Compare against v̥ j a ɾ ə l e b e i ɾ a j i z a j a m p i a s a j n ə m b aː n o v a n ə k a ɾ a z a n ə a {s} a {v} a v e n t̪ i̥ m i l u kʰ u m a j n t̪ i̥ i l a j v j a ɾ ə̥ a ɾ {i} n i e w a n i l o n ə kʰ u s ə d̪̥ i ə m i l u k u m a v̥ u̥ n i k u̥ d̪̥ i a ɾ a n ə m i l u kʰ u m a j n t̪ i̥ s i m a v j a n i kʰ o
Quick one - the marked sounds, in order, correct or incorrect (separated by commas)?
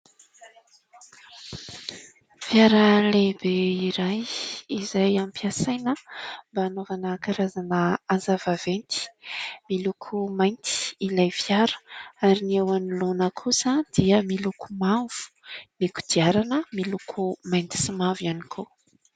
incorrect, correct, correct